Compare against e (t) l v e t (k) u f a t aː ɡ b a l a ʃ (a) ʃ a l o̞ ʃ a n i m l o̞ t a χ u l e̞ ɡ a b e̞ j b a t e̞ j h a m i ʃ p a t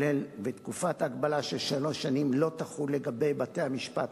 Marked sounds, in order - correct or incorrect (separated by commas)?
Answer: incorrect, correct, incorrect